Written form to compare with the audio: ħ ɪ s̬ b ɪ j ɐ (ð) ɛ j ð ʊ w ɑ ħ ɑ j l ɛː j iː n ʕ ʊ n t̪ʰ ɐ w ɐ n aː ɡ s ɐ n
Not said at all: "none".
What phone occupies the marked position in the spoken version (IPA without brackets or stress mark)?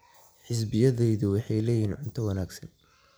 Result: ð